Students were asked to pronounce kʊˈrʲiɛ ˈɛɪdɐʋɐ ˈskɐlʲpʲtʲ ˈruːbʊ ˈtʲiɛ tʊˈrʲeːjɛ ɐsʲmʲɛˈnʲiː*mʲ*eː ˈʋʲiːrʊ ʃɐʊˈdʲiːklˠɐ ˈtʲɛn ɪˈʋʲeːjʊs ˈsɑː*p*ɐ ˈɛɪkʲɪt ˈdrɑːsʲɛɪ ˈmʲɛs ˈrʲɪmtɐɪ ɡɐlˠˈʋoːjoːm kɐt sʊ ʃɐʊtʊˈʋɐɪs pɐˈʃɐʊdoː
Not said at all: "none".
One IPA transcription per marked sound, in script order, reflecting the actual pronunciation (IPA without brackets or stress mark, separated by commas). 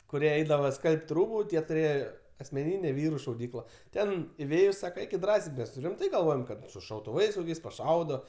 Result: nʲ, k